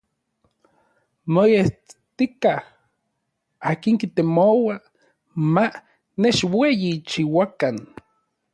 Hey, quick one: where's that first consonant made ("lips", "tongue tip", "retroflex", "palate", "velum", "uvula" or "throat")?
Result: lips